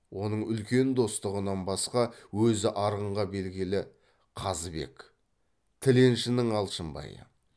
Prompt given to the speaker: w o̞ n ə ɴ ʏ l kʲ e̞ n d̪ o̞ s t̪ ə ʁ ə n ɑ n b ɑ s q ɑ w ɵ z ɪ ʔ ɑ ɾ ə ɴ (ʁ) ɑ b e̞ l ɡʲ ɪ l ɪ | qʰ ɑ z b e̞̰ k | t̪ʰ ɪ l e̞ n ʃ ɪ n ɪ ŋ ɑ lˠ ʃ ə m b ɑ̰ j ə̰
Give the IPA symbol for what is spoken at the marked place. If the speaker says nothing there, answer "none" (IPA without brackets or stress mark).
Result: ʁ